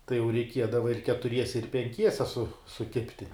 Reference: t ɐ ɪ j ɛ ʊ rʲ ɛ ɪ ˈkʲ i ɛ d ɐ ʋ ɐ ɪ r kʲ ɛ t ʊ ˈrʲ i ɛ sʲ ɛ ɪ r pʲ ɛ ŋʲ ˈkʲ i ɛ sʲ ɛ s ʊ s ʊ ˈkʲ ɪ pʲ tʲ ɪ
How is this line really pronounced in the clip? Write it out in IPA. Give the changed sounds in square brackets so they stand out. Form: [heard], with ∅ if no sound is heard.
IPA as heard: t ɐ ɪ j ɛ ʊ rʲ ɛ ɪ ˈkʲ i ɛ d ɐ ʋ ɐ ɪ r kʲ ɛ t ʊ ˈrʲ i ɛ sʲ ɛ ɪ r pʲ ɛ ŋʲ ˈkʲ i ɛ sʲ ɛ s ʊ s ʊ ˈkʲ ɪ pʲ tʲ ɪ